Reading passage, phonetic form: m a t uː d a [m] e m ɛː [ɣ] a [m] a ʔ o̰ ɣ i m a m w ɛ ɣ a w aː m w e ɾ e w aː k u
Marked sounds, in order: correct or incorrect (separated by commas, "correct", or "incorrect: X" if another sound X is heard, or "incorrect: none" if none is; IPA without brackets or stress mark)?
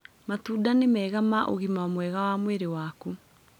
incorrect: n, correct, correct